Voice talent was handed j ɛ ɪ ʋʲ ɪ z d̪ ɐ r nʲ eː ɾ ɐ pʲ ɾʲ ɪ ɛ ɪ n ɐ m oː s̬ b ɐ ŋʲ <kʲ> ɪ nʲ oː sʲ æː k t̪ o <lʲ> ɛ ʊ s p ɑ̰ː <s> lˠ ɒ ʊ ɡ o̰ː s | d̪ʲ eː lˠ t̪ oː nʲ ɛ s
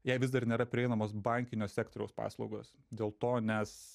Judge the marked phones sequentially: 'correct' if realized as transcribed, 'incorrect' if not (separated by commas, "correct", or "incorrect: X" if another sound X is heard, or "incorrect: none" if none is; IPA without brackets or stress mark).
correct, incorrect: ɾʲ, correct